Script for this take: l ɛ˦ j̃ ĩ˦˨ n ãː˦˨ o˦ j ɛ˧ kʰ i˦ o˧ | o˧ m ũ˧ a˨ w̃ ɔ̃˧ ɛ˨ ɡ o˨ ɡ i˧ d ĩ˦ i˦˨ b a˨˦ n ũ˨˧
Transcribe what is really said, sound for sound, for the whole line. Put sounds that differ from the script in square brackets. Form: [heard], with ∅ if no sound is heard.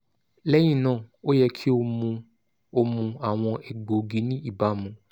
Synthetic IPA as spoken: l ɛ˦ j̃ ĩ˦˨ n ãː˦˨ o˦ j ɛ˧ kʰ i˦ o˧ | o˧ m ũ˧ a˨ w̃ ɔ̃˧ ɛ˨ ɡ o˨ ɡ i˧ [n] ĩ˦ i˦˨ b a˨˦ [m] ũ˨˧